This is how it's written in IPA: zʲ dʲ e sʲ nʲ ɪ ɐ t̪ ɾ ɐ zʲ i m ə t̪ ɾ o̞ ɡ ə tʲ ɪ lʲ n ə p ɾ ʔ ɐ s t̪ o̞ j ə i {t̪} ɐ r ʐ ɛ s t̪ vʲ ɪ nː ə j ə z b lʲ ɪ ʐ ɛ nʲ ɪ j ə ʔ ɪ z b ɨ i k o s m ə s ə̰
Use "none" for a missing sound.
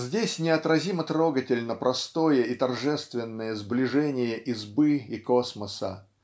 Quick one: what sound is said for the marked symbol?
t̪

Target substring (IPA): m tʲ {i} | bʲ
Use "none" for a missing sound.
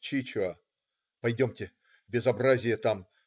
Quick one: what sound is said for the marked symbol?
ɪ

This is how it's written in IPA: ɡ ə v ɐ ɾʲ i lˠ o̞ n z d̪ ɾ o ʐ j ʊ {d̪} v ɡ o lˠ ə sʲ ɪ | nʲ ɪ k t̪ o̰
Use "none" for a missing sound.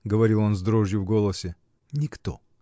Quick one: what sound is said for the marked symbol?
none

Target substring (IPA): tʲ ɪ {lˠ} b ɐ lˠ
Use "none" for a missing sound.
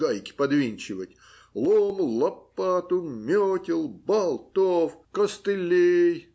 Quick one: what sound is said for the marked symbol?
lˠ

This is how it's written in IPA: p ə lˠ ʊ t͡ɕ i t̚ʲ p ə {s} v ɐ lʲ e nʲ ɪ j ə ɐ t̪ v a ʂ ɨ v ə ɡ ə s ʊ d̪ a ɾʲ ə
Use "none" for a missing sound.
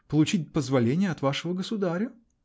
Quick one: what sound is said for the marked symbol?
z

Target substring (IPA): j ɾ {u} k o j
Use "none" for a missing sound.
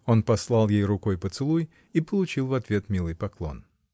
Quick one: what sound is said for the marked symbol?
ʊ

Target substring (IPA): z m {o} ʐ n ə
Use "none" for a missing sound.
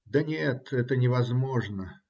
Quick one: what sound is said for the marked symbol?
o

